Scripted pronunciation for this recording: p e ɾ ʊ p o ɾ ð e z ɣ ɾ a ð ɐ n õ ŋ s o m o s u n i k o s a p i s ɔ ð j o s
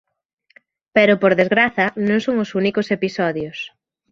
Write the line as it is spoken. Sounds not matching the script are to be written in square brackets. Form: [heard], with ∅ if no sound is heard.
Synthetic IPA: p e ɾ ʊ p o ɾ ð e z ɣ ɾ a [θ] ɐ n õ ŋ s o [ŋ] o s u n i k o s [e] p i s ɔ ð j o s